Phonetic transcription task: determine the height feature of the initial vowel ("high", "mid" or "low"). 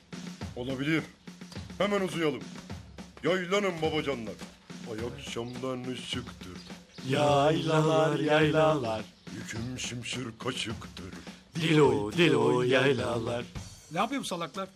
mid